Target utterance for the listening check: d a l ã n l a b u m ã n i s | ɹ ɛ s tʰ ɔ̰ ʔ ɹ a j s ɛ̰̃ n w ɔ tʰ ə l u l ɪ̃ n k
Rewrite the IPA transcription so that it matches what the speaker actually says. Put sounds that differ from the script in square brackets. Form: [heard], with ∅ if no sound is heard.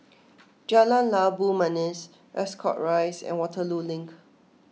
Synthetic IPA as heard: [d͡ʒ] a l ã n l a b u m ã n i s | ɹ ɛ s [kʰ] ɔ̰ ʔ ɹ a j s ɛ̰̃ n w ɔ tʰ ə l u l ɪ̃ [ŋ] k